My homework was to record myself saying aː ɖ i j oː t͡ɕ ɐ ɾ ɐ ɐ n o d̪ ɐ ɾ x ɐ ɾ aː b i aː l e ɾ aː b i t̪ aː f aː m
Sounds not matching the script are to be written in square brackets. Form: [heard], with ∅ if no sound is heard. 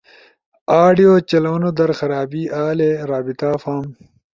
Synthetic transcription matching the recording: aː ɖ i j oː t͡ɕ ɐ [l] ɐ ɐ n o d̪ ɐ ɾ x ɐ ɾ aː b i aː l e ɾ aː b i t̪ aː f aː m